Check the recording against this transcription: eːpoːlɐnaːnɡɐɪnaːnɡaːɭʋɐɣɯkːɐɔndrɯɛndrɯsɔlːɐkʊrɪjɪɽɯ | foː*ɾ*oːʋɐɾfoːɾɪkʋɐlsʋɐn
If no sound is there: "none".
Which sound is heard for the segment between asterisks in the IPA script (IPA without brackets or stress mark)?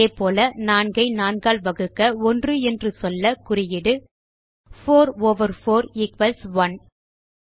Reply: ɾ